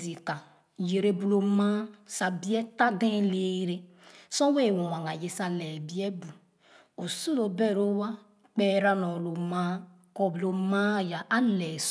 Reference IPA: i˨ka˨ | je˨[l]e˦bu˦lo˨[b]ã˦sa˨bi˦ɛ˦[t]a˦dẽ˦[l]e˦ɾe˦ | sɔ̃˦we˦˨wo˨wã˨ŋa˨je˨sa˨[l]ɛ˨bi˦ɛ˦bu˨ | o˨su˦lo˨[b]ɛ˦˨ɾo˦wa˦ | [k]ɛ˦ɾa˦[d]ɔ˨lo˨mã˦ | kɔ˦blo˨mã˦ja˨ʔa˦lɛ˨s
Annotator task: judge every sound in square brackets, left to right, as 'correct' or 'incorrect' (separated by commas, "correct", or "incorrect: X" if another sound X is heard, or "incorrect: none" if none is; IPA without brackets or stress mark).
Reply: incorrect: ɾ, incorrect: m, correct, correct, correct, correct, incorrect: k͡p, incorrect: n